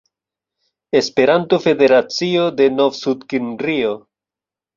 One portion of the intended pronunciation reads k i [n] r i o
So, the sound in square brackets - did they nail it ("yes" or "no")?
yes